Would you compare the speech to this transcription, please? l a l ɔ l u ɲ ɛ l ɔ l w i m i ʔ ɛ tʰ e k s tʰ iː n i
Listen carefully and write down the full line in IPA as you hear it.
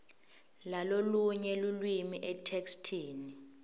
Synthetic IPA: l a l o l u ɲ ɛ l u l w i m i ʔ ɛ tʰ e k s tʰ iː n i